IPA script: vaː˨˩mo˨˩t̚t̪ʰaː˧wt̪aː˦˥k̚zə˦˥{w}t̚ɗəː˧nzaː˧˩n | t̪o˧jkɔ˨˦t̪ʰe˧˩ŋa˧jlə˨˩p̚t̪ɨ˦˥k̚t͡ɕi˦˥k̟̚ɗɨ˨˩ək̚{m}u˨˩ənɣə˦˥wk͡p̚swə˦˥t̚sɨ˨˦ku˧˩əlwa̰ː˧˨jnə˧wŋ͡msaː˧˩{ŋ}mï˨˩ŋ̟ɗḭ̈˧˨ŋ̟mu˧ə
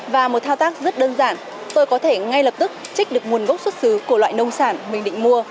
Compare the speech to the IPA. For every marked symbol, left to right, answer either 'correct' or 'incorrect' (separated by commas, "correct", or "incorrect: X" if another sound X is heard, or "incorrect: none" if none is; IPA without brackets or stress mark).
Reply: incorrect: none, correct, incorrect: n